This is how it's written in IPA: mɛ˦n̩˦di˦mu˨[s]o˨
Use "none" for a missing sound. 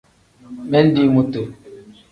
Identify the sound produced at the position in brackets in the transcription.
t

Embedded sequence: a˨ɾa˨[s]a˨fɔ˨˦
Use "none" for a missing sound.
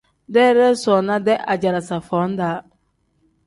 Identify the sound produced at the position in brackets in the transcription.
s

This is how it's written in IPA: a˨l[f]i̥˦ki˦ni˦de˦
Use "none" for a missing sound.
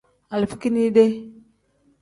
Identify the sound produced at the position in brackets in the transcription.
f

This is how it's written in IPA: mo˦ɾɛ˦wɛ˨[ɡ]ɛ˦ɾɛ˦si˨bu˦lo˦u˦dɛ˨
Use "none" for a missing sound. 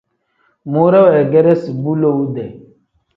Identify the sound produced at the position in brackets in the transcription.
ɡ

